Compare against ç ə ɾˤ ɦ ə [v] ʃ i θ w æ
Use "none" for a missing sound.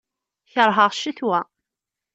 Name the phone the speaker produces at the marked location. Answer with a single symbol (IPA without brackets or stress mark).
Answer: ʁ